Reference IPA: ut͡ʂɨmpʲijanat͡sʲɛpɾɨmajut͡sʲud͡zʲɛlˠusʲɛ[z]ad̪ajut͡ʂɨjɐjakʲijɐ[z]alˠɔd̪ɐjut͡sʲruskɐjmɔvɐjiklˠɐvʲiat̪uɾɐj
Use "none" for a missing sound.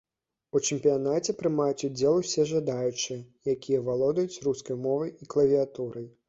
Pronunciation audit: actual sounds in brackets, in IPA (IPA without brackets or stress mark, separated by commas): ʐ, v